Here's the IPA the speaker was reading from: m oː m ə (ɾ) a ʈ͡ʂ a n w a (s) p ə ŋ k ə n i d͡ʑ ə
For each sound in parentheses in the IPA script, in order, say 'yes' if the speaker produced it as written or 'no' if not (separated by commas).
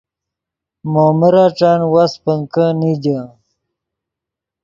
yes, yes